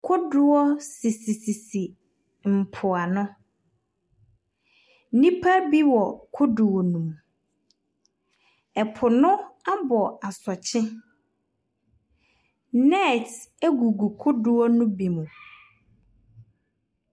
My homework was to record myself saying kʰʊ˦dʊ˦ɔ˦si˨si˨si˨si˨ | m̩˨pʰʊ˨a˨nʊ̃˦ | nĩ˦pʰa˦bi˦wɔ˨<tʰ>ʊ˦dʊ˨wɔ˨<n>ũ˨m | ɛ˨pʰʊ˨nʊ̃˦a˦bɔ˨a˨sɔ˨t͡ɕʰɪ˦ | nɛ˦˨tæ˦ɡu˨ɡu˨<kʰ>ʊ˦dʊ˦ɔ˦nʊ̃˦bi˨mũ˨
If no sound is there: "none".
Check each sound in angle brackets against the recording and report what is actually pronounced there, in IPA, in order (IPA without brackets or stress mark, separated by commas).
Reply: kʰ, n, kʰ